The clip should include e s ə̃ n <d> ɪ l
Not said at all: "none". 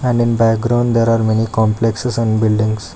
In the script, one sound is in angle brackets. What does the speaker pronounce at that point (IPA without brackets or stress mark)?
b